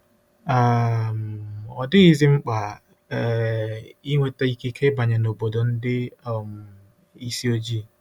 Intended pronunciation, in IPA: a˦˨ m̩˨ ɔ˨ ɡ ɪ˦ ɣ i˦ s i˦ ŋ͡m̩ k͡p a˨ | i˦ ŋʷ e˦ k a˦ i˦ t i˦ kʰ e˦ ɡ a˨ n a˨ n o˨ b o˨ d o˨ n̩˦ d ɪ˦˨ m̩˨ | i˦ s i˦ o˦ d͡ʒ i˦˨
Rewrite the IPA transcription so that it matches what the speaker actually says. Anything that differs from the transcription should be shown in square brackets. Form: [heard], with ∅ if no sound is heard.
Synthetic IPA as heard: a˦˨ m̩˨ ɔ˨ [d] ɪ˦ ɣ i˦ [z] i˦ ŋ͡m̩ k͡p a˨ | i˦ ŋʷ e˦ [t] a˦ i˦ [k] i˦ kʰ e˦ [b] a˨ [ɲ] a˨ n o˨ b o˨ d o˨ n̩˦ d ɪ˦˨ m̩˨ | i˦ s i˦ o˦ d͡ʒ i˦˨